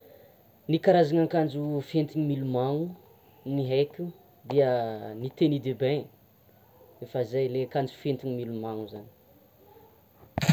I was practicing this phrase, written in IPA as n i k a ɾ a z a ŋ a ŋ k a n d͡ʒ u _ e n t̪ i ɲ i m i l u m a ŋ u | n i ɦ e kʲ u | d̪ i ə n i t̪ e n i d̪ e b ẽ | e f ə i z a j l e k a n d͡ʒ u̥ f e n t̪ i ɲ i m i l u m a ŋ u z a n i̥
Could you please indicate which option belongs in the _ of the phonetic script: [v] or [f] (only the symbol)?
f